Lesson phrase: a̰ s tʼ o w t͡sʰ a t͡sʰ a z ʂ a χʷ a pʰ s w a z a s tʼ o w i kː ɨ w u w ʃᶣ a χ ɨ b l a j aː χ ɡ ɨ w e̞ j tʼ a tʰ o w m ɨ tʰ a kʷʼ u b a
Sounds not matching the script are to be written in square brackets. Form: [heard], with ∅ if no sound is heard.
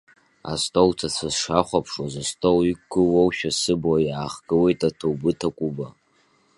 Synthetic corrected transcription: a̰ s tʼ o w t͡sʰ a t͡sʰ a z ʂ a χʷ a pʰ [ʂ] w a z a s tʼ o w i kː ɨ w [o] w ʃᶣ a [s] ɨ b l a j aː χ ɡ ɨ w e̞ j tʼ a tʰ o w [b] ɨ tʰ a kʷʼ u b a

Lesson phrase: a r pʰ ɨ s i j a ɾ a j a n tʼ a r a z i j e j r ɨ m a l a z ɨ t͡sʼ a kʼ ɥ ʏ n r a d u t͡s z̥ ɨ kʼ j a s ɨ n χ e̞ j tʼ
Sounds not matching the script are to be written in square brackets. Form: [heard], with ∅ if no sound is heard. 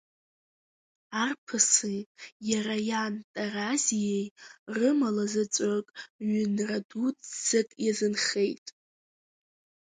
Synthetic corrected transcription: a r pʰ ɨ s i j a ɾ a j a n tʼ a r a z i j e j r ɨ m a l a z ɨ t͡sʼ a kʼ ɥ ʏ n r a d u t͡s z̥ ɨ kʼ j a [z] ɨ n χ e̞ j tʼ

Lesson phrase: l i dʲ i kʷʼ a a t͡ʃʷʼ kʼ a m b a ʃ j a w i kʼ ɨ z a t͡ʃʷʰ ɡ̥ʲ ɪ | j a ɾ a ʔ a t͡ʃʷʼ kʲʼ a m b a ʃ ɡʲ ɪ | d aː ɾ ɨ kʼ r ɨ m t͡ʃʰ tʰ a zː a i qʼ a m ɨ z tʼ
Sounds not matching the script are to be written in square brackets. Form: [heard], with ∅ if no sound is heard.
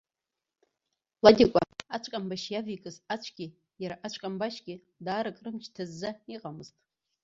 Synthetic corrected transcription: l [a] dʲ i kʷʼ a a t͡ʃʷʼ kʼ a m b a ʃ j a [v] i kʼ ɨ z a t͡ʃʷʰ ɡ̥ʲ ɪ | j a ɾ a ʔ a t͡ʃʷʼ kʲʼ a m b a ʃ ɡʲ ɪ | d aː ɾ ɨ kʼ r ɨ m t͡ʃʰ tʰ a zː a i qʼ a m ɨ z tʼ

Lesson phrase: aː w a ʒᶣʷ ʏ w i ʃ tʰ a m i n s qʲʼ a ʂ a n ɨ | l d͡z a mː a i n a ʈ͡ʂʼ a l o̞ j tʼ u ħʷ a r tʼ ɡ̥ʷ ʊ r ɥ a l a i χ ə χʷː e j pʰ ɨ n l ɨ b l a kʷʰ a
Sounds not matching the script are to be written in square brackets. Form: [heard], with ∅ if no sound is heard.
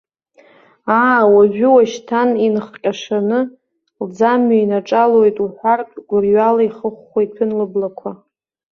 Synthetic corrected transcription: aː w a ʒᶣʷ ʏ w [a] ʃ tʰ a [n] i n [χ] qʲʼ a ʂ a n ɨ | l d͡z a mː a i n a ʈ͡ʂʼ a l o̞ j tʼ u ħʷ a r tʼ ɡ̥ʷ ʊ r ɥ a l a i χ ə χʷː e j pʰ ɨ n l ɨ b l a kʷʰ a

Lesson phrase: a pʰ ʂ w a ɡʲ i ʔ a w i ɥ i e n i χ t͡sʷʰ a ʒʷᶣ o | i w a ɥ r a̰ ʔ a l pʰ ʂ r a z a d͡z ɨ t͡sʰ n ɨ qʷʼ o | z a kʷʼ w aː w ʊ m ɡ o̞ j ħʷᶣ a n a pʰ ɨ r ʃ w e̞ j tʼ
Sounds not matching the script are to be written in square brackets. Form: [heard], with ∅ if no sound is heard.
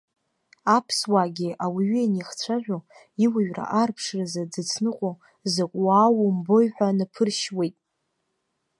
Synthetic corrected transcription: a pʰ [s] w a ɡʲ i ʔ a w i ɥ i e n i χ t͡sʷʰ a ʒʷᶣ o | i w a ɥ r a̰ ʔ a [r] pʰ ʂ r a z a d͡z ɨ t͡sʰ n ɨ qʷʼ o | z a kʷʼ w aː w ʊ m [b] o̞ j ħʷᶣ a n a pʰ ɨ r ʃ w e̞ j tʼ

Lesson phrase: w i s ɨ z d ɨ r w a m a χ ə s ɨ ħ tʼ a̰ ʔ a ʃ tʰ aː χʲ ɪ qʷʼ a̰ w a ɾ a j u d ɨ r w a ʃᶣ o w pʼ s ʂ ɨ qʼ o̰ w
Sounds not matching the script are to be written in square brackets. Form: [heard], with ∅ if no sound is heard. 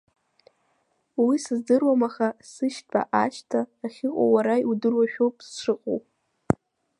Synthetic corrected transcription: w i s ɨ z d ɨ r w a m a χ [a] s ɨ [ʃ] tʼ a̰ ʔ a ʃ tʰ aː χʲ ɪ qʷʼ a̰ w a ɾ a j u d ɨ r w a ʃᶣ o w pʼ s ʂ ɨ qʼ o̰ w

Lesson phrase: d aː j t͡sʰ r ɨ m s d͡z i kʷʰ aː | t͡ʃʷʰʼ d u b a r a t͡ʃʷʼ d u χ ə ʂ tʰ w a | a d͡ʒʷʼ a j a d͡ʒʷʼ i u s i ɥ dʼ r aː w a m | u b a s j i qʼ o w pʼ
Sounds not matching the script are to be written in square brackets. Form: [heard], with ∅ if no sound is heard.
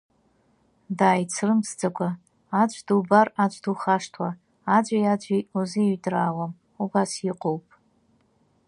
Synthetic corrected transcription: d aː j t͡sʰ r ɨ m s d͡z [a] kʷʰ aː | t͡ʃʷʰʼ d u b a r a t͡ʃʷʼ d u χ [a] ʂ tʰ w a | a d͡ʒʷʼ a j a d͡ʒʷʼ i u [z] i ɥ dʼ r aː w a m | u b a s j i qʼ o w pʼ

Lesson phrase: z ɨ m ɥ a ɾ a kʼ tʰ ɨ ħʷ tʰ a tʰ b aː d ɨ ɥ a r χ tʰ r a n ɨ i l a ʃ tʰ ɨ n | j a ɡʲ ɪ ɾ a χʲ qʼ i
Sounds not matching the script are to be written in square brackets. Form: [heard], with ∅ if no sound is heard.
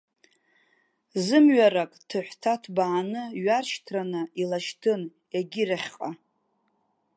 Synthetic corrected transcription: z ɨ m ɥ a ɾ a kʼ tʰ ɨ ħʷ tʰ a tʰ b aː [n] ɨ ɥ a r [ʃ] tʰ r a n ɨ i l a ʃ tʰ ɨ n | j a ɡʲ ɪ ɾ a χʲ qʼ [a]

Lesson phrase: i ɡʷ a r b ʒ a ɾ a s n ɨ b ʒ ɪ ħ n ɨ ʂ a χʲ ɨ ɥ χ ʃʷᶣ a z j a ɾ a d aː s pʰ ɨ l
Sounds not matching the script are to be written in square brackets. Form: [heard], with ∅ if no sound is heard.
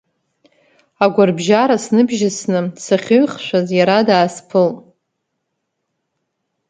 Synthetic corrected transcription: [a] ɡʷ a r b ʒ a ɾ a s n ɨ b ʒ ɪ [s] n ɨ [s] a χʲ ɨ ɥ χ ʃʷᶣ a z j a ɾ a d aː s pʰ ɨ l

